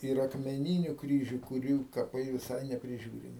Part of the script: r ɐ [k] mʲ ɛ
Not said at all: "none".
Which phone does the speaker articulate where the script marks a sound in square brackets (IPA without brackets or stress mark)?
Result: k